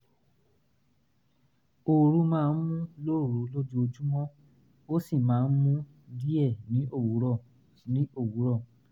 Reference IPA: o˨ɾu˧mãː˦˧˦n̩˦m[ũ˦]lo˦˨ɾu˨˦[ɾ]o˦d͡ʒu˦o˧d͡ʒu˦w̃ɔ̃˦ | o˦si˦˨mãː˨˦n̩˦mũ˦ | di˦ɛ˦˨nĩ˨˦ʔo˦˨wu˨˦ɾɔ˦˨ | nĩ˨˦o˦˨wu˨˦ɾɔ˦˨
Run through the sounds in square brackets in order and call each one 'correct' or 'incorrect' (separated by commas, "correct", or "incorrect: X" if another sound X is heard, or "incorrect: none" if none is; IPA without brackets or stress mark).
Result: correct, incorrect: l